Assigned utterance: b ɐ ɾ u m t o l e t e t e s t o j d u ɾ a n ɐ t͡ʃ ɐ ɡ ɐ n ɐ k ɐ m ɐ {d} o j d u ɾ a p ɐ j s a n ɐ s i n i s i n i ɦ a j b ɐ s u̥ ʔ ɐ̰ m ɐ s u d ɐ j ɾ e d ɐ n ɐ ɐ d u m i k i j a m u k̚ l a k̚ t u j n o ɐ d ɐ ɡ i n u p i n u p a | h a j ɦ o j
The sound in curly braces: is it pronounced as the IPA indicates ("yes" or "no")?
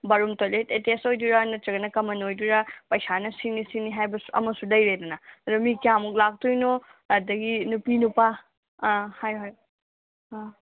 no